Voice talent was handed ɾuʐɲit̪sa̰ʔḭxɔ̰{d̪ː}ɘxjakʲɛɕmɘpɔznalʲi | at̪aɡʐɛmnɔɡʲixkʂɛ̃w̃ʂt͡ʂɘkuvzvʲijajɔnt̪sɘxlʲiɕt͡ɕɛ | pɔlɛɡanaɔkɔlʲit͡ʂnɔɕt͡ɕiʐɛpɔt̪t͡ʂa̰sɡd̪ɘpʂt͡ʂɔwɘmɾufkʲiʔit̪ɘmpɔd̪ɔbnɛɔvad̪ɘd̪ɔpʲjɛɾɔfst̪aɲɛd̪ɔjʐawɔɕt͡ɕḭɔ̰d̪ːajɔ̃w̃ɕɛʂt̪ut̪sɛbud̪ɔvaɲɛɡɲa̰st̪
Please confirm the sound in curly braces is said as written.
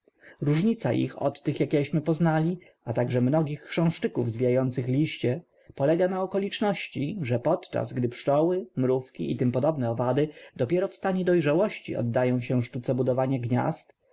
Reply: no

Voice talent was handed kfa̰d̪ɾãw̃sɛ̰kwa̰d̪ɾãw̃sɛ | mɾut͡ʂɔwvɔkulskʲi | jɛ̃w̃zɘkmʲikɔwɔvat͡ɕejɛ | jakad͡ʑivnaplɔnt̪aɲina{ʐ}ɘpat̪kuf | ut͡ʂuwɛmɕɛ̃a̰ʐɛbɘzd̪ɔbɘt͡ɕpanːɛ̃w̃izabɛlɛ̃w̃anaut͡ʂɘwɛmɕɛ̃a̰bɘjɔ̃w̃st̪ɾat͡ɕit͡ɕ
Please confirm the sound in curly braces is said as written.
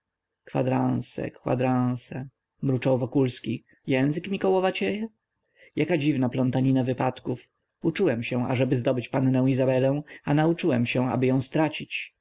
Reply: no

